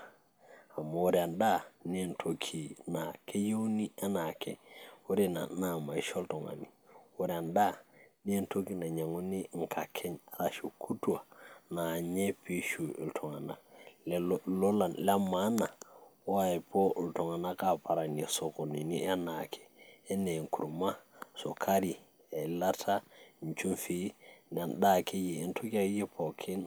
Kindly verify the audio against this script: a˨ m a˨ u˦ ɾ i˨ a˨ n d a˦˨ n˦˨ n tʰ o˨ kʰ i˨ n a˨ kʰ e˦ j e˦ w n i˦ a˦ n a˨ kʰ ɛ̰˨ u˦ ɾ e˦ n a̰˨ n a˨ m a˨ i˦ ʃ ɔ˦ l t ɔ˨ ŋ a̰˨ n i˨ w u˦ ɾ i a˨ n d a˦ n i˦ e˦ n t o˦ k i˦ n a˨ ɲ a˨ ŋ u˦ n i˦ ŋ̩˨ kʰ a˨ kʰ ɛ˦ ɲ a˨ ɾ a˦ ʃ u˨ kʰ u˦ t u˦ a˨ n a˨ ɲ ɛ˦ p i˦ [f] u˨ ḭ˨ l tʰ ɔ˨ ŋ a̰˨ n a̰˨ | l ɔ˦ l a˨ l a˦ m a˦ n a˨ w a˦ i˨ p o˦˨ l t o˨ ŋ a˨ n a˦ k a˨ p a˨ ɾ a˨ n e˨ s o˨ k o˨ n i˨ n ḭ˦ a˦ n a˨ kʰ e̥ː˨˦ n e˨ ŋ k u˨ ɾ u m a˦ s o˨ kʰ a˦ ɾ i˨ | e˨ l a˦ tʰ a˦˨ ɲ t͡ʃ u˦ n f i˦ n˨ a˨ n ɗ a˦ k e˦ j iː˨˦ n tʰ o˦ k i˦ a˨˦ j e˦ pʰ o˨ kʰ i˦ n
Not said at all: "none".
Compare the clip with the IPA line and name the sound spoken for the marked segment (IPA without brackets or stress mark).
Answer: ʃ